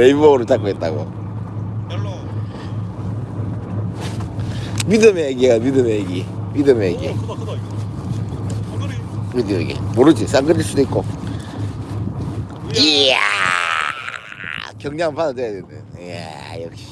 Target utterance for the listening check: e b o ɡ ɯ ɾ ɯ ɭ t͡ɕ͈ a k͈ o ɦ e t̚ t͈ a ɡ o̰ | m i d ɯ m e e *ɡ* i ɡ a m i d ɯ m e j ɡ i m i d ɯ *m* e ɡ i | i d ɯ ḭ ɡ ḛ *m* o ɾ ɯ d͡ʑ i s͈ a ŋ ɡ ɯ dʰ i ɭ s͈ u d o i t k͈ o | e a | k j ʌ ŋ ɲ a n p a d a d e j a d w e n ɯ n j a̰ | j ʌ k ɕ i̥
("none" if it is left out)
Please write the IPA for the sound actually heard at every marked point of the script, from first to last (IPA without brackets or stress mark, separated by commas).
ɡ, m, m